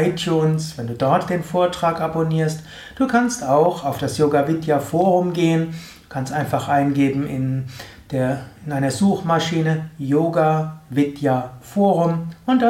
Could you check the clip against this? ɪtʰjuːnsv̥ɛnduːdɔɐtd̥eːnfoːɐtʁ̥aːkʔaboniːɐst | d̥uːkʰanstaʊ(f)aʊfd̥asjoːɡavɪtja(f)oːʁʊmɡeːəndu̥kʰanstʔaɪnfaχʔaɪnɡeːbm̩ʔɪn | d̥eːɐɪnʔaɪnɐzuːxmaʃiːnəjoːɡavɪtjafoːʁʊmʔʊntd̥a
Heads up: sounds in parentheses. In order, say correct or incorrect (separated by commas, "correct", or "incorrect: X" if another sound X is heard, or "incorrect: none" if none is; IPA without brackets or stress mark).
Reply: incorrect: x, correct